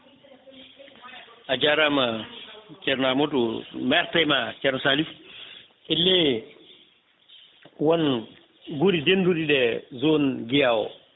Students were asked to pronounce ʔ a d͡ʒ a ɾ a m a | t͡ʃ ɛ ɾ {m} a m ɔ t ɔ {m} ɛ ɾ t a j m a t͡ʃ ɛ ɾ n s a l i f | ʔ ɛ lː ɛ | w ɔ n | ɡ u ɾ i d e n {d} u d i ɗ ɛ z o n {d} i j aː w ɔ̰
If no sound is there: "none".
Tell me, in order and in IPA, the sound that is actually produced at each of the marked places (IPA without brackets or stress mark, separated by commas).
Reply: n, m, d, ɡ